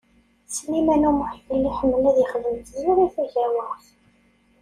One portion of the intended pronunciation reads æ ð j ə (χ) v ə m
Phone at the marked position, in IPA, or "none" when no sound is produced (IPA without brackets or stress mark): χ